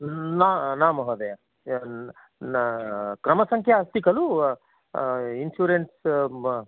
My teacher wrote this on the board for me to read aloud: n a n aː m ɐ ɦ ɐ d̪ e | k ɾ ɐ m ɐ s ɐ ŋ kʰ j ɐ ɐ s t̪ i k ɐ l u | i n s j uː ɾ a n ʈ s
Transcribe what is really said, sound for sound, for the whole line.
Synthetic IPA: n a n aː m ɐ ɦ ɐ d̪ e | k ɾ ɐ m ɐ s ɐ ŋ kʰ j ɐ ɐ s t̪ i k ɐ l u | i n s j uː ɾ e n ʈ s